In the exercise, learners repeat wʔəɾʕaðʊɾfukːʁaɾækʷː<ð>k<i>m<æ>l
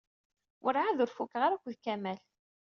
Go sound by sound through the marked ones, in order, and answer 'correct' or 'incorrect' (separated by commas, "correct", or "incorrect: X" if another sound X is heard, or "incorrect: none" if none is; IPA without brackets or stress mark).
correct, incorrect: æ, correct